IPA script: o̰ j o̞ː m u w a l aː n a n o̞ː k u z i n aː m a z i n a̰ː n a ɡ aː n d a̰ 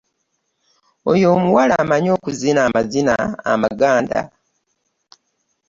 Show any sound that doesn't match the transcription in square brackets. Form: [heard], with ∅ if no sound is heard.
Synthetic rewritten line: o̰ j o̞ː m u w a l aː [m] a [ɲ] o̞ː k u z i n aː m a z i n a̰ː [m] a ɡ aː n d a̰